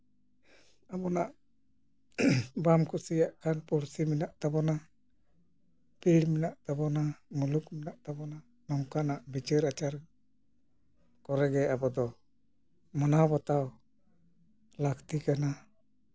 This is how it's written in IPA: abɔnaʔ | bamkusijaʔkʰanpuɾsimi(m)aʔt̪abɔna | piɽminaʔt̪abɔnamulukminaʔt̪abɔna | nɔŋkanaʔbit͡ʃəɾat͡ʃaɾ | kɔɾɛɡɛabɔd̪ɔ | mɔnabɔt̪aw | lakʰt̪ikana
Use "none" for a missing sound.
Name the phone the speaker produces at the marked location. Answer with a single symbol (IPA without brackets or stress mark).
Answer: n